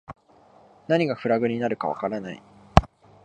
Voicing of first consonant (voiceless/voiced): voiced